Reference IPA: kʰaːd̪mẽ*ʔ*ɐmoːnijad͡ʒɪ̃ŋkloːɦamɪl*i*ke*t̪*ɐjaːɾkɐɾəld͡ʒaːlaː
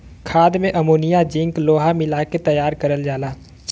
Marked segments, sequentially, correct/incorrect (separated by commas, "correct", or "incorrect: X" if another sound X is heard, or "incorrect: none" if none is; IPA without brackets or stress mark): correct, incorrect: a, correct